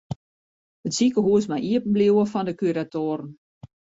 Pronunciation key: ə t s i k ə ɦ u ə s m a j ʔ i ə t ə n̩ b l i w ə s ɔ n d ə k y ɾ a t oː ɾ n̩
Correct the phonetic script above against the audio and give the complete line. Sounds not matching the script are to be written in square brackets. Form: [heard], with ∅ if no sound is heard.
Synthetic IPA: ə t s i k ə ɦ u ə s m a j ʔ i ə [p] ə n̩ b l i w ə [f] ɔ n d ə k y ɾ a t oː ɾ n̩